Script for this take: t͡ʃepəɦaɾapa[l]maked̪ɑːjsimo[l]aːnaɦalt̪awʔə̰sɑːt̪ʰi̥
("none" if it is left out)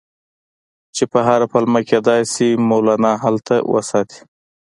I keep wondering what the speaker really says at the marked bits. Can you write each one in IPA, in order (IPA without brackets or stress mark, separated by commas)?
l, l